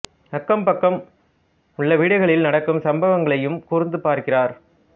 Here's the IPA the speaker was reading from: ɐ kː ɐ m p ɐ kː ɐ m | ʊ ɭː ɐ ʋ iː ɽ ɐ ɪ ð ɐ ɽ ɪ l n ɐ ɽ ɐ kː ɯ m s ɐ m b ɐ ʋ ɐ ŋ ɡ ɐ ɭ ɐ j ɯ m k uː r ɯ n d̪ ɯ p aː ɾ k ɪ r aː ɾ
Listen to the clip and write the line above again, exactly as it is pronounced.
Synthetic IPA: ɐ kː ɐ m p ɐ kː ɐ m | ʊ ɭː ɐ ʋ iː ɽ ɐ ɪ ɣ ɐ ɭ ɪ l n ɐ ɽ ɐ kː ɯ m s ɐ m b ɐ ʋ ɐ ŋ ɡ ɐ ɭ ɐ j ɯ m k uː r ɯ n d̪ ɯ p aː ɾ k ɪ r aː ɾ